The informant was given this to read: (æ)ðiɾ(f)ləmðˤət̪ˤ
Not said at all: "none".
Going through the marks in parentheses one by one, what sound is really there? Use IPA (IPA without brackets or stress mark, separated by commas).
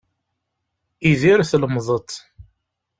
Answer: i, θ